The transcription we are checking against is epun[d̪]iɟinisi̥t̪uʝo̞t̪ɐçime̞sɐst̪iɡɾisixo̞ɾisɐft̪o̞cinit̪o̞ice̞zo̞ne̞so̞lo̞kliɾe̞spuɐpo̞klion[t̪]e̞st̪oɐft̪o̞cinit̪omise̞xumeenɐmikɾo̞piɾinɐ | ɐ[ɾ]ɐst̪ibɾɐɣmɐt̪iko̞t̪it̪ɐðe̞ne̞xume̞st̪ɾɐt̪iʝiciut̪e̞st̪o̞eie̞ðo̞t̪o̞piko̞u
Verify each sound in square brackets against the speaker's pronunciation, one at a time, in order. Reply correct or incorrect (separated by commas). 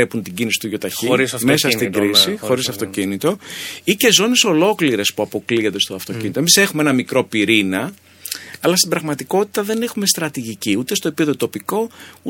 incorrect, incorrect, incorrect